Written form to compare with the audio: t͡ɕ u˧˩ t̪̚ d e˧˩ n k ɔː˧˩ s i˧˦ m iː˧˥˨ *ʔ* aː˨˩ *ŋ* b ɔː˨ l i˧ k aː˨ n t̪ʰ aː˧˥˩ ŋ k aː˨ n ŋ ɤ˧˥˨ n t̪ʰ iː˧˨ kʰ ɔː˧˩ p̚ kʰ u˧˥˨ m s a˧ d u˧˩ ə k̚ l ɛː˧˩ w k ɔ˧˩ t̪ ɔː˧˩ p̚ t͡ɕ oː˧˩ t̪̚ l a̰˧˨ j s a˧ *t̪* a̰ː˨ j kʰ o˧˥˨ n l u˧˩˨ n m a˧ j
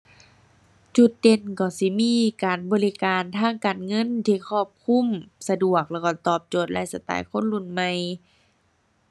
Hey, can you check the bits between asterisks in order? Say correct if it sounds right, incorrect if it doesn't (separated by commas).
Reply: incorrect, incorrect, correct